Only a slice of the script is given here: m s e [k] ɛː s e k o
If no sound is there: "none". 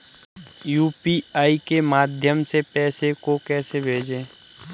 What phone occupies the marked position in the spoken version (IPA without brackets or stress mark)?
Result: p